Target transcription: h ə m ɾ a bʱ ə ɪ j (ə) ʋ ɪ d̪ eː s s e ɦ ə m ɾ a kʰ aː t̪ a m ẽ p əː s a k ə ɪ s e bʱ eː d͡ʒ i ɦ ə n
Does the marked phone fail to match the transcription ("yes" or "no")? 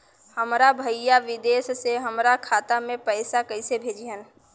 yes